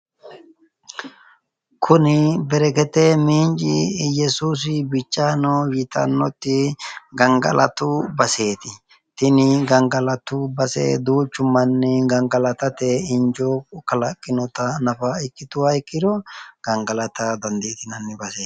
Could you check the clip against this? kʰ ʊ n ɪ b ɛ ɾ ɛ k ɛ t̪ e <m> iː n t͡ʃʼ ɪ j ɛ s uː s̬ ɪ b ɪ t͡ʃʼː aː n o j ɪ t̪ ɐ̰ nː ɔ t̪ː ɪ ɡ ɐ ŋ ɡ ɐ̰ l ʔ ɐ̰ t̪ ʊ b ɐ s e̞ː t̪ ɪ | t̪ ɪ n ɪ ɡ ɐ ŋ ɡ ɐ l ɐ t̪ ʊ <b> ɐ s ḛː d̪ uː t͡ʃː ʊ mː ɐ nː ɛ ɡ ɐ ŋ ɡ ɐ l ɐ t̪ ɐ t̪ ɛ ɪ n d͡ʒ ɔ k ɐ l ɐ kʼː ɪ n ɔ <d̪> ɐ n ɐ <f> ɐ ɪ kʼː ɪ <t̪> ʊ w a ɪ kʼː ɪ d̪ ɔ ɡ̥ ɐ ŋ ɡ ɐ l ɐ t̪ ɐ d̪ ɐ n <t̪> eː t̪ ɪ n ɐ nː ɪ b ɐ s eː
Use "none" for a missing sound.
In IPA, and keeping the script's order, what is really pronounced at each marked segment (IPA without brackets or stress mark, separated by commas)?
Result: m, b, t̪, f, t̪, d̪